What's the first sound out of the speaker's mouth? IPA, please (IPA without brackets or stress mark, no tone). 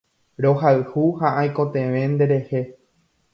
ɾ